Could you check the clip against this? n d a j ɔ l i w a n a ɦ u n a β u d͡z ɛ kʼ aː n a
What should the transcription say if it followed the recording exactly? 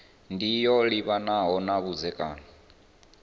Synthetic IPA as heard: n d i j ɔ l i β a n a ɦ ɔ n a β u d͡z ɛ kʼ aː n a